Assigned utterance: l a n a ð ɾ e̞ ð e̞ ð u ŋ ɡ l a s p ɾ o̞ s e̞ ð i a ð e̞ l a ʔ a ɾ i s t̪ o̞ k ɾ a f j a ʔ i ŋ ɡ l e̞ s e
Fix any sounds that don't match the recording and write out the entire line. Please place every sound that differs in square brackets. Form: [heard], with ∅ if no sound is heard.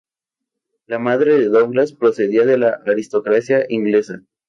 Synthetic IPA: l a [m] a ð ɾ e̞ ð e̞ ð [o] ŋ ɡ l a s p ɾ o̞ s e̞ ð i a ð e̞ l a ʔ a ɾ i s t̪ o̞ k ɾ a [s] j a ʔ i ŋ ɡ l e̞ s [a]